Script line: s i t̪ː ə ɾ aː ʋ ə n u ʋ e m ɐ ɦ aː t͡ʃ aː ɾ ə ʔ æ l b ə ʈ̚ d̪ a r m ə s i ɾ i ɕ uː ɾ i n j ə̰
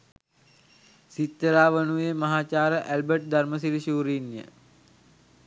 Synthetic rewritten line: s i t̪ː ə ɾ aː ʋ ə n u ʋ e m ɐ ɦ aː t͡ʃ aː ɾ ə ʔ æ l b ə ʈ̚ d̪ a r m ə s i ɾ i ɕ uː ɾ i n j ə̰